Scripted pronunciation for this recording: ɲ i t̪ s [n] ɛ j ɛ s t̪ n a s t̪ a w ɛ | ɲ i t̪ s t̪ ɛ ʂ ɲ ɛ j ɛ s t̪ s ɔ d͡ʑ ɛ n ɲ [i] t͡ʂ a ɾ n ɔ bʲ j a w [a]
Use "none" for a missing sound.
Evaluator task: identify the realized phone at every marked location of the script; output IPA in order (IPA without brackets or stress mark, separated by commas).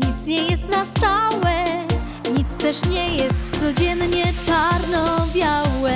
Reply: ɲ, ɛ, ɛ